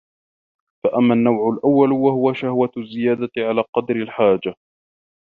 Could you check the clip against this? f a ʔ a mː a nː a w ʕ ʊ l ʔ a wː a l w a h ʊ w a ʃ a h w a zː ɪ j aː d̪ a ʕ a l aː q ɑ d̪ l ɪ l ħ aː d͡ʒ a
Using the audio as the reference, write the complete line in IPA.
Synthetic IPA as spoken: f a ʔ a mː a nː a w ʕ ʊ l ʔ a wː a l w a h ʊ w a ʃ a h w a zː ɪ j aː d̪ a ʕ a l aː q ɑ d̪ ɾ ɪ l ħ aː d͡ʒ a

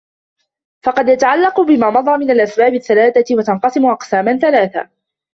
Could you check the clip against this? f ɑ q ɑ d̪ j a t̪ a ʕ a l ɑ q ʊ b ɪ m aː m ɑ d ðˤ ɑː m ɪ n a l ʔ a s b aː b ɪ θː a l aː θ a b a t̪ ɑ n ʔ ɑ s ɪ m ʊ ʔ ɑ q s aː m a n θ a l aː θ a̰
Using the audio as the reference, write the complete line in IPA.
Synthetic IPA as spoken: f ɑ q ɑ d̪ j a t̪ a ʕ a lː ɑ q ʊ b ɪ m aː m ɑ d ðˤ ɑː m ɪ n a l ʔ a s b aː b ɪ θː a l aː θ a w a t̪ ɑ n q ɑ s ɪ m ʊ ʔ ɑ q s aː m a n θ a l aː θ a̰

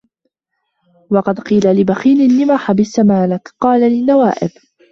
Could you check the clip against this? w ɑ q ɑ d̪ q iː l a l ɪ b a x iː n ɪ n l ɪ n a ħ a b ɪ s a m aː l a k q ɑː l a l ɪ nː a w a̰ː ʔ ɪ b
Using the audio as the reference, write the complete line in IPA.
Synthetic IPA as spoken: w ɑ q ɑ d̪ q iː l a l ɪ b a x iː n ɪ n l ɪ m a ħ a b ɪ s a m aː l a k q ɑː l a l ɪ nː a w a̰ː ʔ ɪ b

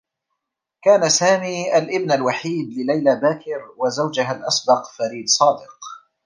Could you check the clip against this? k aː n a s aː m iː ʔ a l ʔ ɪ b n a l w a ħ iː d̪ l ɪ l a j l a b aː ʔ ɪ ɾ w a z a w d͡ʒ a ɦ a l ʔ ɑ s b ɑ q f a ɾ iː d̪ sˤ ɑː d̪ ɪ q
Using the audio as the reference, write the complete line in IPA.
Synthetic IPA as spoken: k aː n a s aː m iː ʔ a l ʔ ɪ b n a l w a ħ iː d̪ l ɪ l a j l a b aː k ɪ ɾ w a z a w d͡ʒ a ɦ a l ʔ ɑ s b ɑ q f a ɾ iː d̪ sˤ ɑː d̪ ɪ q

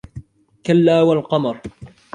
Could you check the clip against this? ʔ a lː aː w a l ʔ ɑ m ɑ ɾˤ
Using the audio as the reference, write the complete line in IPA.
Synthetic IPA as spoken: k a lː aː w a l q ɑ m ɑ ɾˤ

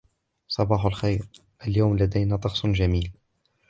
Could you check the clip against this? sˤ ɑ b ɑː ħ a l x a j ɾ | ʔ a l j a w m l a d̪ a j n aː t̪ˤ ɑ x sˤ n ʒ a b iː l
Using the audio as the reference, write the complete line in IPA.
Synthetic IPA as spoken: sˤ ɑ b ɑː ħ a l x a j ɾ | ʔ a l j a w m l a d̪ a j n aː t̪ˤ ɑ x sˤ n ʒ a m iː l

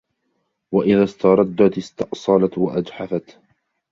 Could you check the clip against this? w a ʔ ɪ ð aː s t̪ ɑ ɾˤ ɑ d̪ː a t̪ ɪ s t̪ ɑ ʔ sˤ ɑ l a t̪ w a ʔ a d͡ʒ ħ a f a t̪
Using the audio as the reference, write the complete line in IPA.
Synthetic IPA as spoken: w a ʔ ɪ ð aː s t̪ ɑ ɾˤ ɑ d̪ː a t̪ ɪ s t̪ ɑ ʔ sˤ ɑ l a t̪ w a ʔ a d͡ʒ ħ a f a t̪

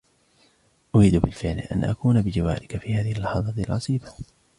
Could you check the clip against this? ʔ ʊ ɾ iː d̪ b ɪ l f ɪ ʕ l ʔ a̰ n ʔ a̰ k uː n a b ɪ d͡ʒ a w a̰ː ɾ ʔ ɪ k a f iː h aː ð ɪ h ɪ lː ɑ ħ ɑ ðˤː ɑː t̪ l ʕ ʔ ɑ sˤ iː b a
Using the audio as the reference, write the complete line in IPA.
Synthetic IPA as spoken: ʔ ʊ ɾ iː d̪ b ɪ l f ɪ ʕ l ʔ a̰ n ʔ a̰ k uː n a b ɪ d͡ʒ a w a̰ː ɾ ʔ ɪ k a f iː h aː ð ɪ h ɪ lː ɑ ħ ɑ ðˤ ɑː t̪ l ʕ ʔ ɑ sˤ iː b a

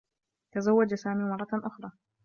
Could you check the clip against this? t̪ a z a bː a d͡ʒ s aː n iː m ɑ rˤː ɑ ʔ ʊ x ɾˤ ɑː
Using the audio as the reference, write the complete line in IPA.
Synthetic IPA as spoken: t̪ a z a wː a d͡ʒ s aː m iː m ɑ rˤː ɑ ʔ ʊ x ɾˤ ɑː

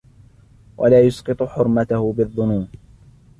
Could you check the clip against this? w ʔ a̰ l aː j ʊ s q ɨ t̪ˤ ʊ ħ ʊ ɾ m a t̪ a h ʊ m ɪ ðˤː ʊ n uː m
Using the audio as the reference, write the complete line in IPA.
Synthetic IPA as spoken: w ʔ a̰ l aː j ʊ s q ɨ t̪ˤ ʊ ħ ʊ ɾ m a t̪ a h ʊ b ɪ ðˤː ʊ n uː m

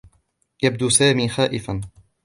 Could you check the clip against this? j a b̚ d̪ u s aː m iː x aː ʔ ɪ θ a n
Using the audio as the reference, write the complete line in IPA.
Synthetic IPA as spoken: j a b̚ d̪ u s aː m iː x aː ʔ ɪ f a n

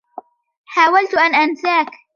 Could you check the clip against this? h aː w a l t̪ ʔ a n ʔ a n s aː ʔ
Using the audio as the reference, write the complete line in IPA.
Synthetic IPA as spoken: ħ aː w a l t̪ ʔ a n ʔ a n s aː k

